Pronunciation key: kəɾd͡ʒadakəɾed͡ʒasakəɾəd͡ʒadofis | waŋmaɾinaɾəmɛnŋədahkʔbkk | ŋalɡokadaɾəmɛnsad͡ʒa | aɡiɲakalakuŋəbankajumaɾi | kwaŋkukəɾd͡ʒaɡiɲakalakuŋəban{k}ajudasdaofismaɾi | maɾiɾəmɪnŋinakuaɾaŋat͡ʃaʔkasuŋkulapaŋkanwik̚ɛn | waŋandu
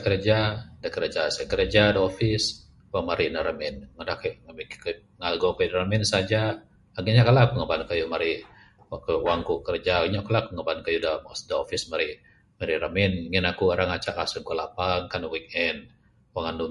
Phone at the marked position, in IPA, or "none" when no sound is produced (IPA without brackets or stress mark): k